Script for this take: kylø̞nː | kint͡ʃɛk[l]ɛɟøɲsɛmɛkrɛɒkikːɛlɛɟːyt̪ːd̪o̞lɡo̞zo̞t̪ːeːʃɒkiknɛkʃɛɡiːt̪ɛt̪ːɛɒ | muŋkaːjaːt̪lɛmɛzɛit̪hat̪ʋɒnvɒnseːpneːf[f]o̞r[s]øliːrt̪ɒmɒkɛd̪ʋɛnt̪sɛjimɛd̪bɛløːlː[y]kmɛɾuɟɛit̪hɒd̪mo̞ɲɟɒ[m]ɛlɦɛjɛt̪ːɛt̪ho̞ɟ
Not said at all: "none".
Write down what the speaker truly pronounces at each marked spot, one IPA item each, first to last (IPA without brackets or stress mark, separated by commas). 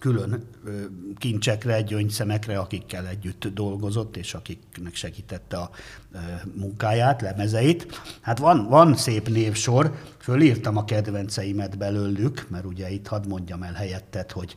r, ʃ, f, y, m